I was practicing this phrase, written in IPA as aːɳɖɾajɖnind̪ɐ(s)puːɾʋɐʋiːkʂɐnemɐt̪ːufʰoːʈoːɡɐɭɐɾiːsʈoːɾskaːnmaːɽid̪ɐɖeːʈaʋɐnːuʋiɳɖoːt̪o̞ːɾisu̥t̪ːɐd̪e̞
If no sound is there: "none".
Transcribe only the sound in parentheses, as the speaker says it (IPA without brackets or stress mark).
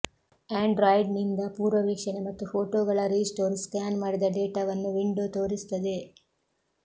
none